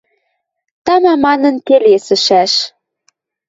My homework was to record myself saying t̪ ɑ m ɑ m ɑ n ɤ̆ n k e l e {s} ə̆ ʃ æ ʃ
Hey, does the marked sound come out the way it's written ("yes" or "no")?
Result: yes